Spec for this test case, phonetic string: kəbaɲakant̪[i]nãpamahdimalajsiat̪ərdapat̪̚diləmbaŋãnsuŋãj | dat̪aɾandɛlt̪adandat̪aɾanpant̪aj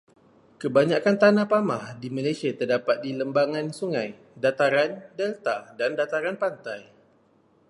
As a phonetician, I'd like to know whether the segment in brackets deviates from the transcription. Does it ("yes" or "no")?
yes